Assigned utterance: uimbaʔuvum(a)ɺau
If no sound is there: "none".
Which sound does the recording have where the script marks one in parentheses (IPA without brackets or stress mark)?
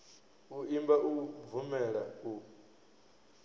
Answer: ɛ